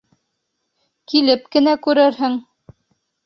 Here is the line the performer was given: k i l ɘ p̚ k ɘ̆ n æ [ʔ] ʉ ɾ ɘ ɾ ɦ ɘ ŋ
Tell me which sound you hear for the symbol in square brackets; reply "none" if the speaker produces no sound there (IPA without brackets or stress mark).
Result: k